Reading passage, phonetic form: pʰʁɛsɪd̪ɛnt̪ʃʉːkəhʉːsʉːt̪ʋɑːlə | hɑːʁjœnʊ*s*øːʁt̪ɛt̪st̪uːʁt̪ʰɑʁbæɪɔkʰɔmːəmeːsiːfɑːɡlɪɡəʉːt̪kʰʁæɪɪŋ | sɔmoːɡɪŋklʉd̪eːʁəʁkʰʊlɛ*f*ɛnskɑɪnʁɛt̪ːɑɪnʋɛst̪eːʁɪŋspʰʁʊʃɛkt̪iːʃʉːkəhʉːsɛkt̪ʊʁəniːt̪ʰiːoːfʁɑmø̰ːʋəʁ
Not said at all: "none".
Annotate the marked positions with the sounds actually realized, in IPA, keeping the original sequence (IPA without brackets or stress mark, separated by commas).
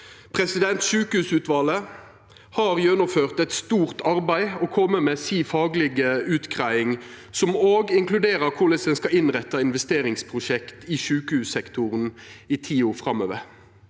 f, s